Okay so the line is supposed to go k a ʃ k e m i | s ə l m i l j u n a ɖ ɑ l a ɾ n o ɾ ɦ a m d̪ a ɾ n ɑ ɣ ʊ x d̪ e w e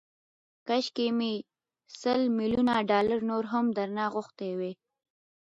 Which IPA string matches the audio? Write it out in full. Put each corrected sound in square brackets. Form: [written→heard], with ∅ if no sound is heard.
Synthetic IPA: k a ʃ k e m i | s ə l m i l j u n a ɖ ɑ l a ɾ n o ɾ ɦ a m d̪ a ɾ n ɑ ɣ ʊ x [d̪→t̪] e w e

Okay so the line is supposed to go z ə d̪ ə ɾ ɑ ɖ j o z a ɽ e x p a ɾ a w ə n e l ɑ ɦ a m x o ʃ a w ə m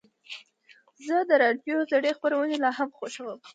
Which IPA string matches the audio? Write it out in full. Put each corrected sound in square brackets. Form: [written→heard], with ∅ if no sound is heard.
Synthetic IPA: z ə d̪ ə ɾ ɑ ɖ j o z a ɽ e x p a ɾ a w ə n e l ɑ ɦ a m x o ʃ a w ə m

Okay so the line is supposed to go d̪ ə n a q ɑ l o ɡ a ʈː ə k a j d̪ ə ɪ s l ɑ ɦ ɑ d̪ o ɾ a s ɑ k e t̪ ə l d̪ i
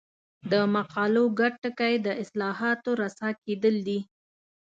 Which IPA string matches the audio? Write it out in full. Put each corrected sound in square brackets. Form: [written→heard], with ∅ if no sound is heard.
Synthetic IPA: d̪ ə [n→m] a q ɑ l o ɡ a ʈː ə k a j d̪ ə ɪ s l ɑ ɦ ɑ [d̪→t̪] o ɾ a s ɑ k e [t̪→d̪] ə l d̪ i

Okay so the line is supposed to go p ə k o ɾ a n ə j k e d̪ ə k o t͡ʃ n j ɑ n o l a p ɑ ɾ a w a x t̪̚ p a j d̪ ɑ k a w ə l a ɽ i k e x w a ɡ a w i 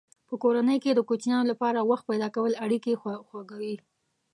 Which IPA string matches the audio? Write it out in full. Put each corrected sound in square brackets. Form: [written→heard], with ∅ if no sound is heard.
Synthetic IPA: p ə k o ɾ a n ə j k e d̪ ə k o t͡ʃ n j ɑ n o l a p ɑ ɾ a w a x t̪̚ p a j d̪ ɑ k a w ə l a ɽ i k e x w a ɡ a w i

